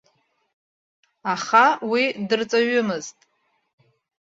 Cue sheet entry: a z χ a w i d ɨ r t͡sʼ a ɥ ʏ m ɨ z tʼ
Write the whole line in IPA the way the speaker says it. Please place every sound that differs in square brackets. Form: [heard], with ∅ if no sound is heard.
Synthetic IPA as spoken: a [∅] χ a w i d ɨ r t͡sʼ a ɥ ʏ m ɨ z tʼ